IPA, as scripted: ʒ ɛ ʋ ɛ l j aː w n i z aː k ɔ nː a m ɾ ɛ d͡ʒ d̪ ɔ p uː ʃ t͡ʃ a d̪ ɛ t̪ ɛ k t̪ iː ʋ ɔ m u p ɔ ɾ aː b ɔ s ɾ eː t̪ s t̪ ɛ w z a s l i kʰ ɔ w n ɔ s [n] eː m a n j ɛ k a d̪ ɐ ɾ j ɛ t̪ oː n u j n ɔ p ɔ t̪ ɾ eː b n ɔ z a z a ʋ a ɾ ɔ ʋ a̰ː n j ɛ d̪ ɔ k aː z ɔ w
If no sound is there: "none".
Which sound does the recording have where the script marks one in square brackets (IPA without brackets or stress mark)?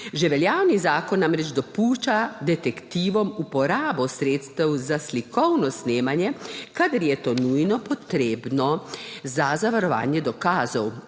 n